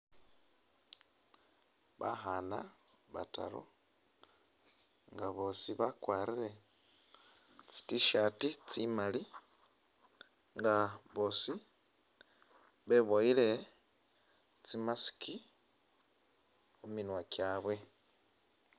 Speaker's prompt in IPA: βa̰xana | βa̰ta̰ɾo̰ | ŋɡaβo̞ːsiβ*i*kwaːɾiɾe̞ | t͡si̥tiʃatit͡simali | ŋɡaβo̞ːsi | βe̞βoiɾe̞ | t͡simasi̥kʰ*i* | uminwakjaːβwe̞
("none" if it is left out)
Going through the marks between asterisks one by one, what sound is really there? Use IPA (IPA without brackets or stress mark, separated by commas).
a, i